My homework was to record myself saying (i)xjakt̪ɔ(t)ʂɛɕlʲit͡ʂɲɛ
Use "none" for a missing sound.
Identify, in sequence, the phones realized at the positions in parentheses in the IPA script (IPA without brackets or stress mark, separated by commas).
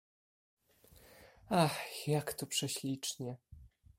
a, p